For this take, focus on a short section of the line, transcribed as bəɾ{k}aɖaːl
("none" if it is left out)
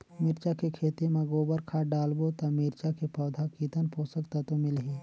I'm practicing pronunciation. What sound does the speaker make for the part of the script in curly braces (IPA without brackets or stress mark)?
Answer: kʰ